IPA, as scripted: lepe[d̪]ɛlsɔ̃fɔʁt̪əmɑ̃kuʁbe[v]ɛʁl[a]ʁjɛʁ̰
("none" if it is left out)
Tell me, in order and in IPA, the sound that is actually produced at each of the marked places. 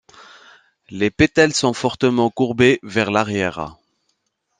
t̪, v, a

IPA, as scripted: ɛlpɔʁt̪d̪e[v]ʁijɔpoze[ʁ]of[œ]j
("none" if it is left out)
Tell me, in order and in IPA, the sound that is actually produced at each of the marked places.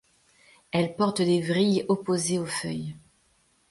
v, none, œ

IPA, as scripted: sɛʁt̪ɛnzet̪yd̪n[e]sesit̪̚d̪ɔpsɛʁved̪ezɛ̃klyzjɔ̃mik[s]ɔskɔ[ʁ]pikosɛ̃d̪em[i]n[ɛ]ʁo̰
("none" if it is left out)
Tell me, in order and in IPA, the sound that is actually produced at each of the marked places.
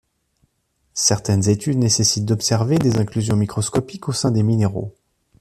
e, χ, none, i, e

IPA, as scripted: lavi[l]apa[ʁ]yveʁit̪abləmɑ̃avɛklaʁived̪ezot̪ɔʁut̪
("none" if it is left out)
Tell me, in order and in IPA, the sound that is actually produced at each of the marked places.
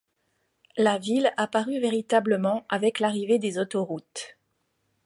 l, ʁ

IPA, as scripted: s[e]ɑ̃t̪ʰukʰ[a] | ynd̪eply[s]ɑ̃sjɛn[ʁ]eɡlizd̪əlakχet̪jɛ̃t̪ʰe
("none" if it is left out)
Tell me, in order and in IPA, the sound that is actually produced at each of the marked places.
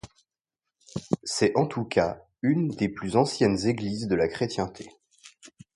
ɛ, a, z, z

